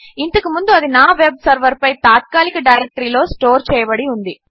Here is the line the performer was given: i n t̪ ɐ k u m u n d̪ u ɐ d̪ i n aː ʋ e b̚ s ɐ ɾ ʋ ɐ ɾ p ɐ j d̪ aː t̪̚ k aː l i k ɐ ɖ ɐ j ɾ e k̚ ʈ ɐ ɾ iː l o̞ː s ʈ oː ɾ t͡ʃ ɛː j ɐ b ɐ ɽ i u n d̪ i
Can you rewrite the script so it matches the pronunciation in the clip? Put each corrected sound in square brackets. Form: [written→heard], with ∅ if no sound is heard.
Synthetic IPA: i n t̪ ɐ k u m u n d̪ u ɐ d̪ i n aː ʋ e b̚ s ɐ ɾ ʋ ɐ ɾ p ɐ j [d̪→t̪] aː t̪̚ k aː l i k ɐ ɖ ɐ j ɾ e k̚ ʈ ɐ ɾ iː l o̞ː s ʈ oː ɾ t͡ʃ ɛː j ɐ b ɐ ɽ i u n d̪ i